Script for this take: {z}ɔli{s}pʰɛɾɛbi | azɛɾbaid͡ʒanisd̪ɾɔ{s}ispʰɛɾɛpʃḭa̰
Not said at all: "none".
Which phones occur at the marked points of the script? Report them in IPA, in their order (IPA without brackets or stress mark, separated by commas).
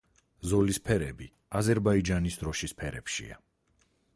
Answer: z, s, ʃ